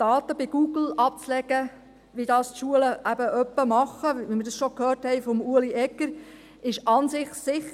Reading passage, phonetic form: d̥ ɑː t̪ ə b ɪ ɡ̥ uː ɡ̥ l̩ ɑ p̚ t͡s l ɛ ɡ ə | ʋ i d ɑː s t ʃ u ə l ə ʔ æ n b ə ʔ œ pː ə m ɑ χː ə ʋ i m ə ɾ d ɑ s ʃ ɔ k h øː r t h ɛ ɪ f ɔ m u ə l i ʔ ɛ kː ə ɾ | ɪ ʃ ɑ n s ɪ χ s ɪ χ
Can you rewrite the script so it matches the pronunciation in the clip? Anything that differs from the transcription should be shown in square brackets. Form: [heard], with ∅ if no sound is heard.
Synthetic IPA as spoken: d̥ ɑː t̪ ə b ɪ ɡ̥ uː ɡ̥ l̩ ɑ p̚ t͡s l ɛ ɡ ə | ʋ i d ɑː s t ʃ u ə l ə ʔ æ [∅] b ə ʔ œ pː ə m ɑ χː ə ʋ i m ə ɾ d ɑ s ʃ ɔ k h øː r t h ɛ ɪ f ɔ m u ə l i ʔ ɛ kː ə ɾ | ɪ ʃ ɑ n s ɪ χ s ɪ χ